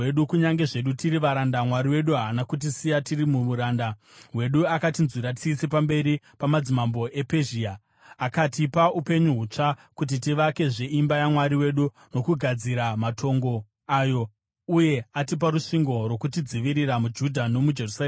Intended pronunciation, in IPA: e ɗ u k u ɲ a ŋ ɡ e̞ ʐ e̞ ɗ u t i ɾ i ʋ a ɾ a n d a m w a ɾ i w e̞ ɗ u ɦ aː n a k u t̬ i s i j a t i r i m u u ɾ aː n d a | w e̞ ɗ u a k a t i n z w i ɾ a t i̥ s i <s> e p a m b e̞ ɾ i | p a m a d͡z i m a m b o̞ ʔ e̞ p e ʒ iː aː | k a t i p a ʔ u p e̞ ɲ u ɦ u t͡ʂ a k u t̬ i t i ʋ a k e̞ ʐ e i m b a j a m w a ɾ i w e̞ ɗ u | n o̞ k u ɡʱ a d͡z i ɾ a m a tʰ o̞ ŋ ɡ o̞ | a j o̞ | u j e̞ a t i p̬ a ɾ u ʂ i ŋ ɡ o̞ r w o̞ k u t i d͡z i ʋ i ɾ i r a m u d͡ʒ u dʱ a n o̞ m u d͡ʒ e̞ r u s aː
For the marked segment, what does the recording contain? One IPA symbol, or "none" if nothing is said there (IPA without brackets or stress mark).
s